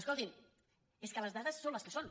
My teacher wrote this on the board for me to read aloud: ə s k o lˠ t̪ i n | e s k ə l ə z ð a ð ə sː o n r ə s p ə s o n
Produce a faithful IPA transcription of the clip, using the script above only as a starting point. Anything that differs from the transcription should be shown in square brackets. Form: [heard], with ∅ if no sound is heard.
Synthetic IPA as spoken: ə s k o lˠ t̪ i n | e s k ə l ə z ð a ð ə sː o n [l] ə s [k] ə s o n